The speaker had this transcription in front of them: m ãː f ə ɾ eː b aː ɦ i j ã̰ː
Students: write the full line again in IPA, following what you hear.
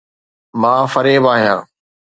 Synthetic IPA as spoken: m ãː f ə ɾ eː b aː ɦ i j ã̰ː